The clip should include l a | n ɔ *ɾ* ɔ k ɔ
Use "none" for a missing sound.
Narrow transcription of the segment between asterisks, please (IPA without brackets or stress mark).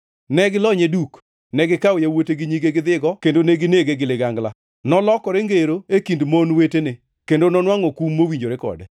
l